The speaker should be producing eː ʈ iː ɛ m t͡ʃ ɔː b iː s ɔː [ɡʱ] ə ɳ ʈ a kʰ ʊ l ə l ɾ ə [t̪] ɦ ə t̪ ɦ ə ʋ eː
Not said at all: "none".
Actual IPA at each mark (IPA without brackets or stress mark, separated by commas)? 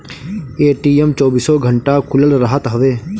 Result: ɡʱ, none